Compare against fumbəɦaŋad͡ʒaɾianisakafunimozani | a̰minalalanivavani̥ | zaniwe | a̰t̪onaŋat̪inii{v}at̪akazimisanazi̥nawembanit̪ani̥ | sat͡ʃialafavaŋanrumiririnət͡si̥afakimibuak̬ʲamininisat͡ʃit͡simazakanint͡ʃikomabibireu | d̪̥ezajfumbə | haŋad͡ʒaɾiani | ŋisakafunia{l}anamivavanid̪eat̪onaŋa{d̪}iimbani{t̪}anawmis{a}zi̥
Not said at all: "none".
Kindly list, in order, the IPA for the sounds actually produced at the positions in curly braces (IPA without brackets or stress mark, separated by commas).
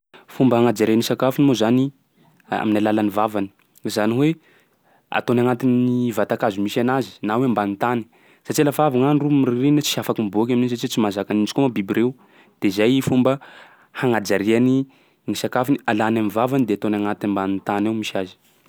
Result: v, l, t̪, t̪, a